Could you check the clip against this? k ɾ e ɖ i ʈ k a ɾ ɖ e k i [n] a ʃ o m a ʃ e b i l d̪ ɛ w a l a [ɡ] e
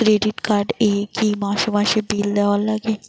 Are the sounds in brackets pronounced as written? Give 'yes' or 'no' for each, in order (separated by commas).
no, yes